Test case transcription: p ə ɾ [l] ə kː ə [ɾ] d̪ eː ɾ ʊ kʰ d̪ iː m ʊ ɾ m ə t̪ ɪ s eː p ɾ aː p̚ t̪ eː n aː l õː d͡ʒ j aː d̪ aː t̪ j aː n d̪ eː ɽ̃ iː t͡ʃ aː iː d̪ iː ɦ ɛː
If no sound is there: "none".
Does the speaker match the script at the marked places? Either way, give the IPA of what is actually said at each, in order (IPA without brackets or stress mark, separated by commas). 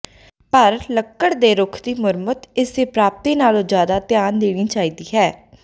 l, ɽ